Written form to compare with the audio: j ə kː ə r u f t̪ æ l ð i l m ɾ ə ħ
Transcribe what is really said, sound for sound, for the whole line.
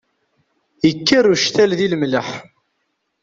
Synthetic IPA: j ə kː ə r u ʃ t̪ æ l ð i l m l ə ħ